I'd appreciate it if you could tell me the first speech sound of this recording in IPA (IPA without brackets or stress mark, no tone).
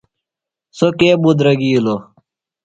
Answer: s